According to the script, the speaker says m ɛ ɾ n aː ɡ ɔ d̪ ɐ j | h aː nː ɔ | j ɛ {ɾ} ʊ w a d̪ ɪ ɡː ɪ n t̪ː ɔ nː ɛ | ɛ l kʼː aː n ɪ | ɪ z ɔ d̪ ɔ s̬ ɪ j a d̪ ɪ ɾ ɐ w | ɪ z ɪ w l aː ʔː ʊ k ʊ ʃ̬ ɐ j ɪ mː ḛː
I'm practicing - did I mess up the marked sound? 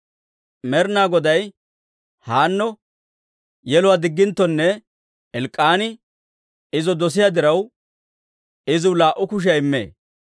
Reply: yes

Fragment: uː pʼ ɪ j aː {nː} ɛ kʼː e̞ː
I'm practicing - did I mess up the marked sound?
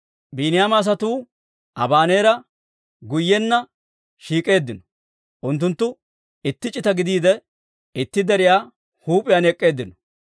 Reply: yes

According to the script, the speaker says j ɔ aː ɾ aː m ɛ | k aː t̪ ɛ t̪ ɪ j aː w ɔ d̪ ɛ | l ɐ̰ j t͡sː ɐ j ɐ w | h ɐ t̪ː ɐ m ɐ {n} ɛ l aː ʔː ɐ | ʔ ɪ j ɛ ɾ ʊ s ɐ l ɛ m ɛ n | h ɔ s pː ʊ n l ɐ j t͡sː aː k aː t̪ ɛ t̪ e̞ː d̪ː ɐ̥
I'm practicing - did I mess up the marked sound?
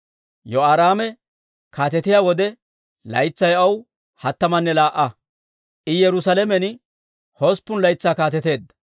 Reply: yes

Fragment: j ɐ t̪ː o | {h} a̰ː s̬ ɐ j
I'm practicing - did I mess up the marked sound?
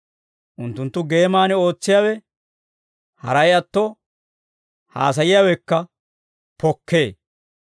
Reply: no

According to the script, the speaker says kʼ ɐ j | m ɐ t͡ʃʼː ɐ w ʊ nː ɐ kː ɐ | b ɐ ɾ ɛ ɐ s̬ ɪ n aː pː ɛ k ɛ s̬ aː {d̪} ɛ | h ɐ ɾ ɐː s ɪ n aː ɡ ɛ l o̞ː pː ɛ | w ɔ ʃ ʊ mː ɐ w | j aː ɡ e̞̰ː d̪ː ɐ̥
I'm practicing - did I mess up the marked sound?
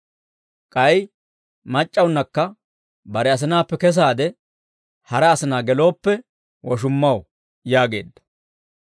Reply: no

